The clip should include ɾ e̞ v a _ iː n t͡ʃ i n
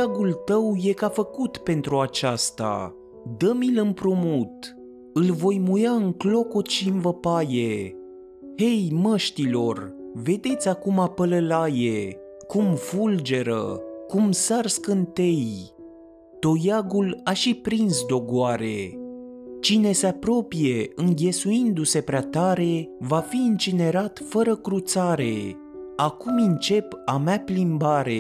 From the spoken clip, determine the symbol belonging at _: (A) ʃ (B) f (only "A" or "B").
B